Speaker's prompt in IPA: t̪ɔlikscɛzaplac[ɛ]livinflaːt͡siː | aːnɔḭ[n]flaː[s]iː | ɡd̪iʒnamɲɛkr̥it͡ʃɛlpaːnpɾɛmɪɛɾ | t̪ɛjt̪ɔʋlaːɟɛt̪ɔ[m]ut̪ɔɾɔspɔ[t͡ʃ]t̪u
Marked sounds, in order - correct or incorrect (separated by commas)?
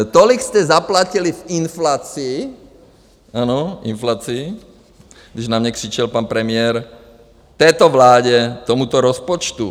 incorrect, correct, incorrect, correct, correct